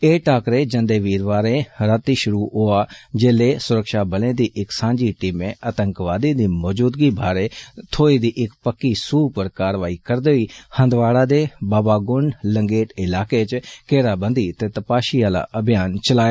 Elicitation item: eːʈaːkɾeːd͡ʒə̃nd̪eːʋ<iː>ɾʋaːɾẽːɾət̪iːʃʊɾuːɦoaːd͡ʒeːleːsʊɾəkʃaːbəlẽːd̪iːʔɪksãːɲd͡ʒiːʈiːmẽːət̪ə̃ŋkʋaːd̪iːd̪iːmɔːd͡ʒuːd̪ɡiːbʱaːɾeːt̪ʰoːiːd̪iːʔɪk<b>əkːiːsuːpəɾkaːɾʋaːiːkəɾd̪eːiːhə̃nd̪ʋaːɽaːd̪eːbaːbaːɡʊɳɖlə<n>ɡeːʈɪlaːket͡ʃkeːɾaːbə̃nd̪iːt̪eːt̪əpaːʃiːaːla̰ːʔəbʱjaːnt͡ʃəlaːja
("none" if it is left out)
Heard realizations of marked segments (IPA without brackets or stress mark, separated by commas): iː, p, ŋ